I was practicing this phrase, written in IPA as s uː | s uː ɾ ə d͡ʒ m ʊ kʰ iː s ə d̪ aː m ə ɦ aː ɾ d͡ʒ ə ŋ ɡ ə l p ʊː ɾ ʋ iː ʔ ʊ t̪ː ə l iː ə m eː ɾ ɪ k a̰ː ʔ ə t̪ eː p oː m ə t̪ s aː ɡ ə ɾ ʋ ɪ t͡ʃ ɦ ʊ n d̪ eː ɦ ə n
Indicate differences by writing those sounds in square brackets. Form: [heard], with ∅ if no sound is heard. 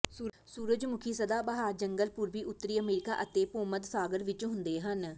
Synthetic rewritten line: s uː | s uː ɾ ə d͡ʒ m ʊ kʰ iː s ə d̪ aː [b] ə ɦ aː ɾ d͡ʒ ə ŋ ɡ ə l p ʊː ɾ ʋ iː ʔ ʊ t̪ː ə [ɾ] iː ə m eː ɾ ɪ k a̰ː ʔ ə t̪ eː p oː m ə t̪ s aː ɡ ə ɾ ʋ ɪ t͡ʃ ɦ ʊ n d̪ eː ɦ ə n